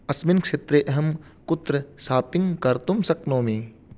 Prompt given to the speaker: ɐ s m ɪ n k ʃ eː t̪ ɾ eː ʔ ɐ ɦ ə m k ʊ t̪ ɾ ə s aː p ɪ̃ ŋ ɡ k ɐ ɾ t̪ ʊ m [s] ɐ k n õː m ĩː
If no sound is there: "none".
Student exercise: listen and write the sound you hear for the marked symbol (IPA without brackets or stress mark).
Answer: s